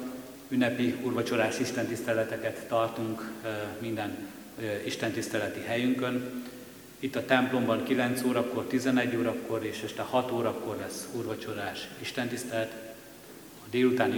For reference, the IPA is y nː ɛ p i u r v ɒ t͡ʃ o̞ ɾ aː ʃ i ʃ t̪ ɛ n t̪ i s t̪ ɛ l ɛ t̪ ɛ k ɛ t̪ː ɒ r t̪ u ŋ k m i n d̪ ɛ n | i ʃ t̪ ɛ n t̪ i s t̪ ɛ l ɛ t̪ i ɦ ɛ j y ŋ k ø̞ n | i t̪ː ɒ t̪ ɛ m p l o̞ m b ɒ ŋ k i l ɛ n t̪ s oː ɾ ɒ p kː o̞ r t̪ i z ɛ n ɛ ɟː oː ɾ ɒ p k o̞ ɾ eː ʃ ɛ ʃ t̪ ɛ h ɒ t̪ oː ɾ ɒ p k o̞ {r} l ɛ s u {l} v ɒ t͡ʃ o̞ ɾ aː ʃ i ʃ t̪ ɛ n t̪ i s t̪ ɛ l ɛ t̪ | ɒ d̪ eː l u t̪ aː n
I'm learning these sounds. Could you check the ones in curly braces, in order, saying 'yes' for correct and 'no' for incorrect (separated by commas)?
yes, no